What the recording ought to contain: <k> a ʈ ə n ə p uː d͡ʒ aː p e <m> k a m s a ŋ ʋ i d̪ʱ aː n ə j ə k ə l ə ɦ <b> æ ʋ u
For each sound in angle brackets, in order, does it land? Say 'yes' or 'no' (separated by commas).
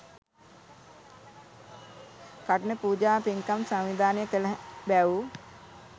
yes, no, yes